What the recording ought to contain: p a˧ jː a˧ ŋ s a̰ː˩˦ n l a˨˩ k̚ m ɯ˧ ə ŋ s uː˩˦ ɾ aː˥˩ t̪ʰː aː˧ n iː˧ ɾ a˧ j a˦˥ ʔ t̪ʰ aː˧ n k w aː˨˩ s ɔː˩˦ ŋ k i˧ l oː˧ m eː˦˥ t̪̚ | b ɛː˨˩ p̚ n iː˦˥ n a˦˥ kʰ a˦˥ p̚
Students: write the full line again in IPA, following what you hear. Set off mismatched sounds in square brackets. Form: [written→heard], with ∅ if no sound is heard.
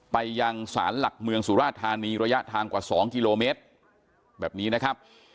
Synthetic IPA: p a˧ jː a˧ ŋ s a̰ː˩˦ n l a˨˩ k̚ m ɯ˧ ə ŋ s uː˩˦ ɾ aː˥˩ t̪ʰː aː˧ n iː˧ ɾ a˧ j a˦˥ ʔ t̪ʰ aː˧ [n→ŋ] k w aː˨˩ s ɔː˩˦ ŋ k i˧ l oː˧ m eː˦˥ t̪̚ | b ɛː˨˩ p̚ n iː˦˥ n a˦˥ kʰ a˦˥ p̚

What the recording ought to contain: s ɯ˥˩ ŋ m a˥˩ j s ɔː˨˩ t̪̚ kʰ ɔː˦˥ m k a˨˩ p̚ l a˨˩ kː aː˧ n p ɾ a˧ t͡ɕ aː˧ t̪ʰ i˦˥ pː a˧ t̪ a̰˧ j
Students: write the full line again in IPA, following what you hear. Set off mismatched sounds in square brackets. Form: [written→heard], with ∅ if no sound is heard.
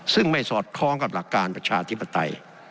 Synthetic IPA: s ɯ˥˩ ŋ m a˥˩ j s ɔː˨˩ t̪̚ kʰ ɔː˦˥ [m→ŋ] k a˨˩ p̚ l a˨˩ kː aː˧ n p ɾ a˧ [t͡ɕ→t͡ɕʰ] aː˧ t̪ʰ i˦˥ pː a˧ t̪ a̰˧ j

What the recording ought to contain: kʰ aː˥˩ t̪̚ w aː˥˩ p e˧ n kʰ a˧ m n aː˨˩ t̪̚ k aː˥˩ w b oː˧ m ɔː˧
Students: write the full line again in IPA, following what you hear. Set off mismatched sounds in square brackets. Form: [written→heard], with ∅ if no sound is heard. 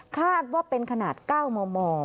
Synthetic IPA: kʰ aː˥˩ t̪̚ w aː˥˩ p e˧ n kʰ a˧ [m→∅] n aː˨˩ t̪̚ k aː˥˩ w [b→m] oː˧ m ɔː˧

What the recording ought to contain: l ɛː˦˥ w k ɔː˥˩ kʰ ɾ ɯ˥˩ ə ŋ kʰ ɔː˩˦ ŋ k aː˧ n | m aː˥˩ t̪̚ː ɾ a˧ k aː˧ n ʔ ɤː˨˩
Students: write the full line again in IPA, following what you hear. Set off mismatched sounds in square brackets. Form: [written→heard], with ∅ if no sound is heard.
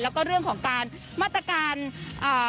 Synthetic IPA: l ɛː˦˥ w k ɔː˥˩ [kʰ→∅] ɾ ɯ˥˩ ə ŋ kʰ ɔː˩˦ ŋ k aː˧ n | m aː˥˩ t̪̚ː ɾ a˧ k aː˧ n ʔ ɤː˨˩

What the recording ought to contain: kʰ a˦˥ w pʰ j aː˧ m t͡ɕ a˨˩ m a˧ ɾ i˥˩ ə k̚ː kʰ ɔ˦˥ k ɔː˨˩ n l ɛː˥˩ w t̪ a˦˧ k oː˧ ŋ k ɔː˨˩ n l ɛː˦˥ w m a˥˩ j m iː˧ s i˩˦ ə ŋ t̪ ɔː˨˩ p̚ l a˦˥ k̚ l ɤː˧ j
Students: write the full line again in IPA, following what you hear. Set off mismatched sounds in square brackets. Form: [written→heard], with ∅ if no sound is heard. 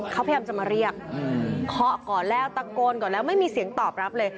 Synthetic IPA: kʰ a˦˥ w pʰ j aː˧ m t͡ɕ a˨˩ m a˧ ɾ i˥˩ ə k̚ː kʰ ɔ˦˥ k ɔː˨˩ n l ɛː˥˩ w t̪ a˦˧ k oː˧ [ŋ→n] k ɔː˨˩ n l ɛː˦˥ w m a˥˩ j m iː˧ s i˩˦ ə ŋ t̪ ɔː˨˩ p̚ [l→ɾ] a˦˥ [k̚→p̚] l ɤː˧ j

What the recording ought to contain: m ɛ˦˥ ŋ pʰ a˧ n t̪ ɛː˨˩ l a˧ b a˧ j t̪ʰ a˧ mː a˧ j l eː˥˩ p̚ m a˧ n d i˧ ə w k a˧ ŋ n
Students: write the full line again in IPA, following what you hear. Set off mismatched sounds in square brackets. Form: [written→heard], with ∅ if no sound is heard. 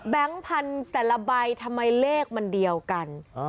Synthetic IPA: [m→b] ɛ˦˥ ŋ pʰ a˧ n t̪ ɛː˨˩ l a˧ b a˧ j t̪ʰ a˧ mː a˧ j l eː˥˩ [p̚→k̚] m a˧ n d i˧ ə w k a˧ [ŋ→∅] n

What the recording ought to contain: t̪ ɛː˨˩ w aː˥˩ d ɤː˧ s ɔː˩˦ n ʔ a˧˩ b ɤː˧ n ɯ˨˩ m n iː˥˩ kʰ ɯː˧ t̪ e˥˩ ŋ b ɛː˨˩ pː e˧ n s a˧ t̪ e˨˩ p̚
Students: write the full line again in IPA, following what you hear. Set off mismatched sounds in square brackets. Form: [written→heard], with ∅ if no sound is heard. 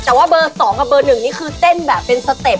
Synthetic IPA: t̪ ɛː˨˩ w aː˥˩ [d→b] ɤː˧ s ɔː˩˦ [n→ŋ] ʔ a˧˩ b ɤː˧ n ɯ˨˩ [m→ŋ] n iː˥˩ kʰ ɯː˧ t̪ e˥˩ [ŋ→n] b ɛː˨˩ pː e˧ n s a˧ t̪ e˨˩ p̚

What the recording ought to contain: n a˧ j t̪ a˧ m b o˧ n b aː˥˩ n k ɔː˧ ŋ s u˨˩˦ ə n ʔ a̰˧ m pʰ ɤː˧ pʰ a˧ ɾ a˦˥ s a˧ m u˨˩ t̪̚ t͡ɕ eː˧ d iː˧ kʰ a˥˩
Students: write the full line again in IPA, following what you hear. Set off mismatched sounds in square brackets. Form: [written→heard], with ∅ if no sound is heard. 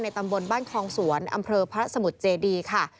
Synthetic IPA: n a˧ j t̪ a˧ m b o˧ n b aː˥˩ n [k→kʰ] ɔː˧ ŋ s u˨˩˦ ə n ʔ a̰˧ m pʰ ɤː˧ pʰ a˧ ɾ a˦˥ s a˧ m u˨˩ t̪̚ t͡ɕ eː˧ d iː˧ kʰ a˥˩

